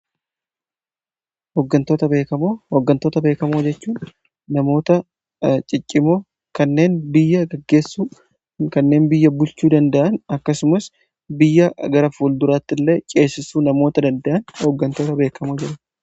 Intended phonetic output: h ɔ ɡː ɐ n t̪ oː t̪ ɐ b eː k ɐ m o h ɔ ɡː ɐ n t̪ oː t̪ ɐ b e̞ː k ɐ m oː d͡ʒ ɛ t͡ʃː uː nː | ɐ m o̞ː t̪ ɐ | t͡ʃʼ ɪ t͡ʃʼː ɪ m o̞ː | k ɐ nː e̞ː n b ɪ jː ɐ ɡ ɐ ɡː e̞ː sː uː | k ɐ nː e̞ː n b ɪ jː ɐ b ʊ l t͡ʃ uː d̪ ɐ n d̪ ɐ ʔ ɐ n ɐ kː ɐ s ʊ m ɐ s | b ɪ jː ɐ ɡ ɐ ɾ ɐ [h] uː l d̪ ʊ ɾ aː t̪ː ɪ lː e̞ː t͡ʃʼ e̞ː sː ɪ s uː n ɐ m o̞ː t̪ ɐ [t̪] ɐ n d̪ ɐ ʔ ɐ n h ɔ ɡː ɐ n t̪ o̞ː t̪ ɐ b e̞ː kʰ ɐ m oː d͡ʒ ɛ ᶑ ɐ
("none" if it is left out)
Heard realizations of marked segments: f, d̪

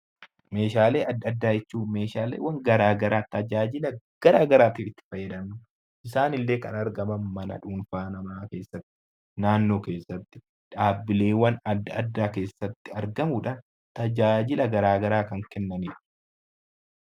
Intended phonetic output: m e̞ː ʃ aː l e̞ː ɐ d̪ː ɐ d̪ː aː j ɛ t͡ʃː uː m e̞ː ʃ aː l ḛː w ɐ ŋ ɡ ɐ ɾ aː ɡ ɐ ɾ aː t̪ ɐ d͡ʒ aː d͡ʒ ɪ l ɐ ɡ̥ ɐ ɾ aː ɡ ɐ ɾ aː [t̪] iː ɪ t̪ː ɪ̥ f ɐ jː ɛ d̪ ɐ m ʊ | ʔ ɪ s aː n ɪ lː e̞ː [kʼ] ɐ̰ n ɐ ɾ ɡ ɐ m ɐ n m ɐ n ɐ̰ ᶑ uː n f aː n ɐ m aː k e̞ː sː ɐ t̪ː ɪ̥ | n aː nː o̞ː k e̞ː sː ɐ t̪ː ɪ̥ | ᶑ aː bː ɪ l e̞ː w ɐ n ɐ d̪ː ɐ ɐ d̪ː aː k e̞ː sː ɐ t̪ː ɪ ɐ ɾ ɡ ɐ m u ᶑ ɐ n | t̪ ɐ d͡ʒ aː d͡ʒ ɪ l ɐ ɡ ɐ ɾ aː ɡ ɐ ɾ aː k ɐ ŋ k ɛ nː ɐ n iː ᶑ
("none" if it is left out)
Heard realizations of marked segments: t̪, k

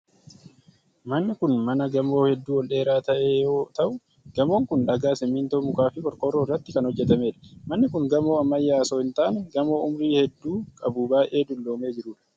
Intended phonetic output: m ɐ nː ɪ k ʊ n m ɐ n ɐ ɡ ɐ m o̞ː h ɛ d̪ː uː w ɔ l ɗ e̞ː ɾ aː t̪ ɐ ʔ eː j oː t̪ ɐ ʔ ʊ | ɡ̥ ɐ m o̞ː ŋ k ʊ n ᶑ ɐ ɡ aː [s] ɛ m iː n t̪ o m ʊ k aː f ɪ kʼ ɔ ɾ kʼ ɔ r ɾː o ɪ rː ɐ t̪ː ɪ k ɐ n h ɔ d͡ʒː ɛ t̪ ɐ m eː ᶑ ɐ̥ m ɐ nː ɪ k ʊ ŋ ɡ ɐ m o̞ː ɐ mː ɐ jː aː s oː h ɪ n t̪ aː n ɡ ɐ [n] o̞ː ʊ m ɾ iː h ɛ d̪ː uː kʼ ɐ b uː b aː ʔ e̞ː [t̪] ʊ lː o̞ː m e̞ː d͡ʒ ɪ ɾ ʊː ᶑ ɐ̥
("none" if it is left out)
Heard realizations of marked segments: s, m, d̪

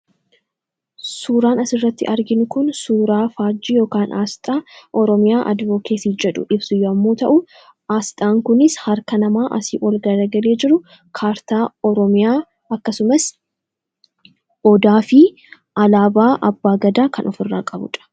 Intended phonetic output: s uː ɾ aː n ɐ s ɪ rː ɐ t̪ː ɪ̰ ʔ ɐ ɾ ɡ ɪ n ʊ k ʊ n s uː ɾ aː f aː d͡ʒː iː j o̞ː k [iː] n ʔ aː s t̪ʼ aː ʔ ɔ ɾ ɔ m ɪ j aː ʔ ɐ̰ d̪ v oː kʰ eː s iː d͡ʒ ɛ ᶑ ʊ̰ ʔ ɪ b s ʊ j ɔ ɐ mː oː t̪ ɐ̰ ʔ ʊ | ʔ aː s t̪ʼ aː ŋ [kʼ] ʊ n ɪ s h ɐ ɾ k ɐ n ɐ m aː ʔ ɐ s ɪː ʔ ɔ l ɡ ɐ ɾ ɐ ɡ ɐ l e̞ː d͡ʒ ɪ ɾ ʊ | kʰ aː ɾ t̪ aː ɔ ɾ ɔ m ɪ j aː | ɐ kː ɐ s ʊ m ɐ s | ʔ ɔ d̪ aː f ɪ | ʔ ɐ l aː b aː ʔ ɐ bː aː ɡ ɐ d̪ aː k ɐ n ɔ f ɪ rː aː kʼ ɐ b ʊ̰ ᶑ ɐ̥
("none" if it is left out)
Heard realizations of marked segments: aː, k

